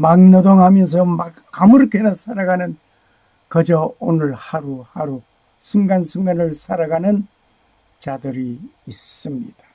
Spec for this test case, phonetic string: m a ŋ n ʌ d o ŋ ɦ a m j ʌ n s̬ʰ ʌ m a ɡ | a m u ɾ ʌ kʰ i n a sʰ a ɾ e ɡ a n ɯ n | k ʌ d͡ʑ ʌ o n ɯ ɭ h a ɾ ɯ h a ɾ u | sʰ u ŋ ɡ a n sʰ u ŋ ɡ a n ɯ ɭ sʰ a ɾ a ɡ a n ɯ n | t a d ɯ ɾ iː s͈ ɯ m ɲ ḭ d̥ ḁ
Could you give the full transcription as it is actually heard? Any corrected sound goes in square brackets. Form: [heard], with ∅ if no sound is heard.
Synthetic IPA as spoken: m a ŋ n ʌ d o ŋ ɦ a m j ʌ n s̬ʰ ʌ m a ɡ | a m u ɾ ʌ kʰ [e] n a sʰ a ɾ [a] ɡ a n ɯ n | k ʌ d͡ʑ ʌ o n ɯ ɭ h a ɾ [u] h a ɾ u | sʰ u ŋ ɡ a n sʰ u ŋ ɡ a n ɯ ɭ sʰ a ɾ a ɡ a n ɯ n | [t͡ɕ] a d ɯ ɾ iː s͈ ɯ m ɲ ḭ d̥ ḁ